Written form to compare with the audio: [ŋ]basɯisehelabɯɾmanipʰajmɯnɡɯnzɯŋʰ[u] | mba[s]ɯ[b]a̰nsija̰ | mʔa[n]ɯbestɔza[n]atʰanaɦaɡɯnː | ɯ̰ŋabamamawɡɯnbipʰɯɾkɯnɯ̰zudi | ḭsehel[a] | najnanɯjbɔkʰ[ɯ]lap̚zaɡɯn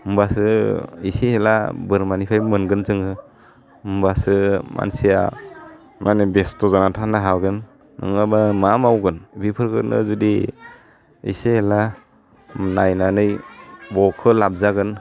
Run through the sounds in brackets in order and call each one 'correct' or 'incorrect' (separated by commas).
incorrect, incorrect, correct, incorrect, correct, correct, correct, correct